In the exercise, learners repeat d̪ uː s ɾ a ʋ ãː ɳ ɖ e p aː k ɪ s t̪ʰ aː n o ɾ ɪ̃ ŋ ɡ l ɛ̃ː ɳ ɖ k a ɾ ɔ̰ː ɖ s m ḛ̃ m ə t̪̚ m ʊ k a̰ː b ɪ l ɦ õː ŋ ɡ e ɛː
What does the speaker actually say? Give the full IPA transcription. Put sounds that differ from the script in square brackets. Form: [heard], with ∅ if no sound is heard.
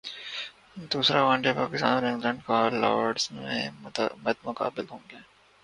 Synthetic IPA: d̪ uː s ɾ a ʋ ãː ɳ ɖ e p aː k ɪ s [t̪] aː n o ɾ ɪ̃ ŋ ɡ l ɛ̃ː ɳ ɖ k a [l] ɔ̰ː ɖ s m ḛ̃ m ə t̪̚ m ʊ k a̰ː b ɪ l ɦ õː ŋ ɡ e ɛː